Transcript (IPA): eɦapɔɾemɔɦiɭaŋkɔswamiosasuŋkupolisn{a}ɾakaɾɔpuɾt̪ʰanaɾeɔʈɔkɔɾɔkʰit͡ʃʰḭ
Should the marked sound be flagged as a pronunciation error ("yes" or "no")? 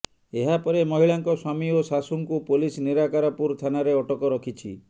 yes